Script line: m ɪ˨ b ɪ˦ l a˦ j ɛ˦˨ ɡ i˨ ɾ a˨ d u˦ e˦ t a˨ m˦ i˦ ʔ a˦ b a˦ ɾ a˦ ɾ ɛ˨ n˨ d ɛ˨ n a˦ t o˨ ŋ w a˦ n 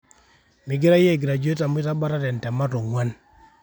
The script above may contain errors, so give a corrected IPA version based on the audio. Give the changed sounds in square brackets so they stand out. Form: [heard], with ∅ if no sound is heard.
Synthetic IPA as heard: m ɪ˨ [ɡ] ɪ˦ [ɾ] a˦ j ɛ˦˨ ɡ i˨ ɾ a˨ [d͡ʒ] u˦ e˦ t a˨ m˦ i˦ [t] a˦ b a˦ ɾ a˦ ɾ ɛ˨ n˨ [t] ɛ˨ [m] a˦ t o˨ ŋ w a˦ n